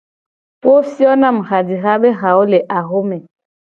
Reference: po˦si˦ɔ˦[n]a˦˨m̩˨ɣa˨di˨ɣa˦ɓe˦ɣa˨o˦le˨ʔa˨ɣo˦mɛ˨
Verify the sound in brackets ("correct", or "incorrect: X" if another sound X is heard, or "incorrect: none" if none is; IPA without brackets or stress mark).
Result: correct